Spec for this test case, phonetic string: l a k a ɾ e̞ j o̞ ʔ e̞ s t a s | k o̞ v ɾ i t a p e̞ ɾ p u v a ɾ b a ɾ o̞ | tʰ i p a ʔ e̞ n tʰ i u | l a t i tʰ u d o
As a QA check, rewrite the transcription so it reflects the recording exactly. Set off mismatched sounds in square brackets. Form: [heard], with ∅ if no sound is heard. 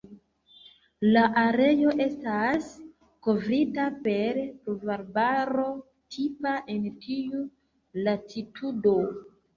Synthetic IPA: l a [ʔ] a ɾ e̞ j o̞ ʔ e̞ s t a s | k o̞ v ɾ i t a p e̞ ɾ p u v a ɾ b a ɾ o̞ | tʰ i p a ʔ e̞ n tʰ i u | l a t i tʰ u d o

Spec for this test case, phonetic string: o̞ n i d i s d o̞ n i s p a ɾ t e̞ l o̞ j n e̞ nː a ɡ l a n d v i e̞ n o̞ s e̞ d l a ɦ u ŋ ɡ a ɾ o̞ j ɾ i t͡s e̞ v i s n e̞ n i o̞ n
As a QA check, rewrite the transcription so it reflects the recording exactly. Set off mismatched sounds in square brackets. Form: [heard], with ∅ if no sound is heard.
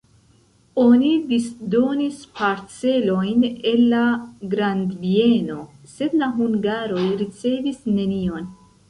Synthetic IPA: o̞ n i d i s d o̞ n i s p a ɾ [t͡s] e̞ l o̞ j n e̞ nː a ɡ [ɾ] a n d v i e̞ n o̞ s e̞ d l a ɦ u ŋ ɡ a ɾ o̞ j ɾ i t͡s e̞ v i s n e̞ n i o̞ n

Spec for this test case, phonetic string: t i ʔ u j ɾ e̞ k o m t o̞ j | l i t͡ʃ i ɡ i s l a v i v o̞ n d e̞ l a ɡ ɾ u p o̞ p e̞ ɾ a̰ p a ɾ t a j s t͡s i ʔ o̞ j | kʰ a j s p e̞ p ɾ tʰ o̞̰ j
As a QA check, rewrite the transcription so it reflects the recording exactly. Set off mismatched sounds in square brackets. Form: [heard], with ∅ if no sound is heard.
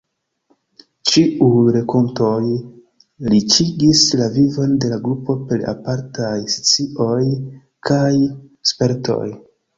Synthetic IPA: [t͡ʃ] i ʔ u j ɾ e̞ k o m t o̞ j | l i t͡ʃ i ɡ i s l a v i v o̞ n d e̞ l a ɡ ɾ u p o̞ p e̞ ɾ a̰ p a ɾ t a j s t͡s i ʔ o̞ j | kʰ a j s p e̞ [∅] ɾ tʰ o̞̰ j

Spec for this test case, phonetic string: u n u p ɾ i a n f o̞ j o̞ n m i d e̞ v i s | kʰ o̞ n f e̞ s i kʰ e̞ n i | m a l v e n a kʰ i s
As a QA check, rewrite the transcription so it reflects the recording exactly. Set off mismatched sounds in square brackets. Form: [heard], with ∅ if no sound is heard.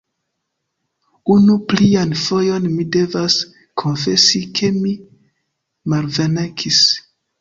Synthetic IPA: u n u p [l] i a n f o̞ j o̞ n m i d e̞ v [a] s | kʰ o̞ n f e̞ s i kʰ e̞ [m] i | m a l v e n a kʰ i s

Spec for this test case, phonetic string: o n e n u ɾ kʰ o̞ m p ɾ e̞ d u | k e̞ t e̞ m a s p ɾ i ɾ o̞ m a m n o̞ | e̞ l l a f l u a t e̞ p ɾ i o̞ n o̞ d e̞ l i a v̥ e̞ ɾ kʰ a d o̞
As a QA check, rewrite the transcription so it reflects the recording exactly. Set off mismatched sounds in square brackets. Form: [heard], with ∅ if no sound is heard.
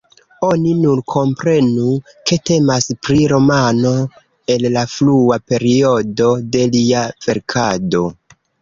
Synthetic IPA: o n [i] n u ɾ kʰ o̞ m p ɾ e̞ [n] u | k e̞ t e̞ m a s p ɾ i ɾ o̞ m a [∅] n o̞ | e̞ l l a f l u a [p] e̞ [∅] ɾ i o̞ [d] o̞ d e̞ l i a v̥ e̞ ɾ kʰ a d o̞

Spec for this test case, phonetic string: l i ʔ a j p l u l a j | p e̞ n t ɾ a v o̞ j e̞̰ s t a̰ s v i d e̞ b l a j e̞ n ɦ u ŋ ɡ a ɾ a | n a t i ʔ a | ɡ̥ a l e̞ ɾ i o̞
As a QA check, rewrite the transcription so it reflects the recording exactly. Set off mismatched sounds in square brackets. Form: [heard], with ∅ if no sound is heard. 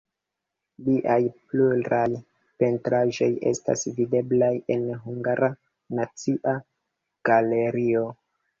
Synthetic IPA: l i ʔ a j p l u [ɾ] a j | p e̞ n t ɾ a [ʒ] o̞ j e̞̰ s t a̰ s v i d e̞ b l a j e̞ n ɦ u ŋ ɡ a ɾ a | n a [t͡s] i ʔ a | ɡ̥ a l e̞ ɾ i o̞

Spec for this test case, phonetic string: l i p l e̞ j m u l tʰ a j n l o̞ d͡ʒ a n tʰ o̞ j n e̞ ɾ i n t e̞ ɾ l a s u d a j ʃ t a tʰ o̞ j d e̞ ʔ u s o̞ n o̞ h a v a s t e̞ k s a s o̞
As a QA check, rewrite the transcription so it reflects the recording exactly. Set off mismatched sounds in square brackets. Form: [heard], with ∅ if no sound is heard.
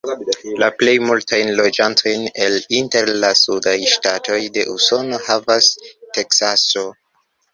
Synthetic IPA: l [a] p l e̞ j m u l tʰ a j n l o̞ d͡ʒ a n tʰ o̞ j n e̞ [l] i n t e̞ ɾ l a s u d a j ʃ t a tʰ o̞ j d e̞ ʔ u s o̞ n o̞ h a v a s t e̞ k s a s o̞

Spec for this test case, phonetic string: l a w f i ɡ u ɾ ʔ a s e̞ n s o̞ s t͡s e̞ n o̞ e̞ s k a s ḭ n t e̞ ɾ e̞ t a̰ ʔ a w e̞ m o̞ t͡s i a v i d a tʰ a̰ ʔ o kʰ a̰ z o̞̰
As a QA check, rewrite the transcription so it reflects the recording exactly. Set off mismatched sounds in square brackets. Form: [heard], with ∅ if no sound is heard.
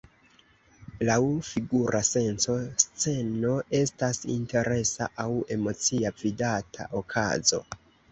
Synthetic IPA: l a w f i ɡ u ɾ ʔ a s e̞ n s o̞ s t͡s e̞ n o̞ e̞ s [t] a s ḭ n t e̞ ɾ e̞ [s] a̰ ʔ a w e̞ m o̞ t͡s i a v i d a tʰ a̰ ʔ o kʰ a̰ z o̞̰

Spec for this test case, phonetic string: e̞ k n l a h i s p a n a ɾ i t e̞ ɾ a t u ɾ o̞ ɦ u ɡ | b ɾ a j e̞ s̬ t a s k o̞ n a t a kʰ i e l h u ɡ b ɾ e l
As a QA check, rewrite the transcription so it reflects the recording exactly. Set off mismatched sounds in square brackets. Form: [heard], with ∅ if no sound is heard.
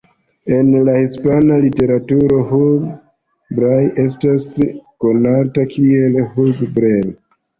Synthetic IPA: e̞ [∅] n l a h i s p a n a [l] i t e̞ ɾ a t u ɾ o̞ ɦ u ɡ | b ɾ a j e̞ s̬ t a s k o̞ n a t a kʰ i e l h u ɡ b ɾ e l

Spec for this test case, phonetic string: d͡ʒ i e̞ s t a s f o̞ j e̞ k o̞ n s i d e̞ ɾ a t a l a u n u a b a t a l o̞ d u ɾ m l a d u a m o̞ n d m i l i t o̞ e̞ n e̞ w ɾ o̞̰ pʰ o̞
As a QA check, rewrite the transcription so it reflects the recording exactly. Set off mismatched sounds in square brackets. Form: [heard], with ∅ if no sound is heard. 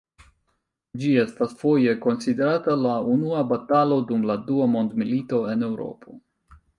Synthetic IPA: d͡ʒ i e̞ s t a s f o̞ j e̞ k o̞ n s i d e̞ ɾ a t a l a u n u a b a t a l o̞ d u [∅] m l a d u a m o̞ n d m i l i t o̞ e̞ n e̞ w ɾ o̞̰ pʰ o̞

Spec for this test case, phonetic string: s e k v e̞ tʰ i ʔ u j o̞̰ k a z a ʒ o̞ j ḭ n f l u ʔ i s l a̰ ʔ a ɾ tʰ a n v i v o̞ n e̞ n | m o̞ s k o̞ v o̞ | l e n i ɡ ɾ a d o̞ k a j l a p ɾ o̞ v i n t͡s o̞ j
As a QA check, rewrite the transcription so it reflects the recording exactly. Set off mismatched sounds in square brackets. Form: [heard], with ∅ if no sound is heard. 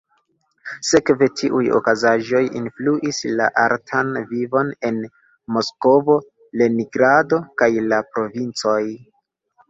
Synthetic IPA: s e k v e̞ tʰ i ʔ u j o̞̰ k a z a ʒ o̞ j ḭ n f l u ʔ i s l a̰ ʔ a ɾ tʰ a n v i v o̞ n e̞ n | m o̞ s k o̞ v o̞ | l e n i ɡ ɾ a d o̞ k a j l a p ɾ o̞ v i n t͡s o̞ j

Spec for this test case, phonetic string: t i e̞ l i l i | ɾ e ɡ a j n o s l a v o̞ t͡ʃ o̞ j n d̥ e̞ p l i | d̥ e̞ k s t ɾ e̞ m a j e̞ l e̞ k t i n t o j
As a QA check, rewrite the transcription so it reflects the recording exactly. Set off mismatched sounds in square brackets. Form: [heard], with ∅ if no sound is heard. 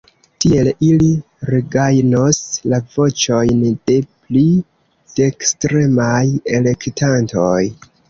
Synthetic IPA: t i e̞ l i l i | ɾ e ɡ a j n o s l a v o̞ t͡ʃ o̞ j n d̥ e̞ p l i | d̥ e̞ k s t ɾ e̞ m a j e̞ l e̞ k t [a] n t o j

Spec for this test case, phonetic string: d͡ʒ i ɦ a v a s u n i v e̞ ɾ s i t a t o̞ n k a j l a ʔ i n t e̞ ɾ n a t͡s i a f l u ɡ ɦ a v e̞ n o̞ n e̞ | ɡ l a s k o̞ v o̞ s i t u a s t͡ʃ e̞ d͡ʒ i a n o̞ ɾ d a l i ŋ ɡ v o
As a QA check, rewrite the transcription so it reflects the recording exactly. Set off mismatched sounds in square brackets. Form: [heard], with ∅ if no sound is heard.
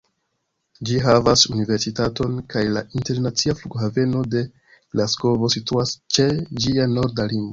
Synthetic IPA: d͡ʒ i ɦ a v a s u n i v e̞ ɾ s i t a t o̞ n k a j l a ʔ i n t e̞ ɾ n a t͡s i a f l u ɡ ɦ a v e̞ n o̞ [d] e̞ | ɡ l a s k o̞ v o̞ s i t u a s t͡ʃ e̞ d͡ʒ i a n o̞ ɾ d a l i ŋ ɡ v o

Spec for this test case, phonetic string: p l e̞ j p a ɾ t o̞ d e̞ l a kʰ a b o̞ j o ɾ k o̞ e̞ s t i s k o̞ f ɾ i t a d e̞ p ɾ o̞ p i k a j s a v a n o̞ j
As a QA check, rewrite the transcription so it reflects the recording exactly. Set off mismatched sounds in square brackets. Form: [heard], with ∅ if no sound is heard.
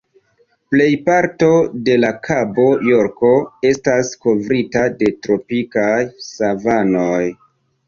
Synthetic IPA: p l e̞ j p a ɾ t o̞ d e̞ l a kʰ a b o̞ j o ɾ k o̞ e̞ s t [a] s k o̞ [v] ɾ i t a d e̞ [t] ɾ o̞ p i k a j s a v a n o̞ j

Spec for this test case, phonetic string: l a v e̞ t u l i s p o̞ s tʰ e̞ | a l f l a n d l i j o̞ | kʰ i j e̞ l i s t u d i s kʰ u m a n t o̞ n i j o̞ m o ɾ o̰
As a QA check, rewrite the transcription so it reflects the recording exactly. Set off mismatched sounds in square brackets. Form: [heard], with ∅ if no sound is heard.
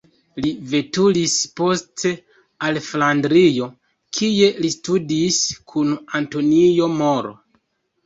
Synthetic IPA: l [i] v e̞ t u l i s p o̞ s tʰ e̞ | a l f l a n d [ɾ] i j o̞ | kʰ i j e̞ l i s t u d i s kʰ u [n] a n t o̞ n i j o̞ m o ɾ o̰

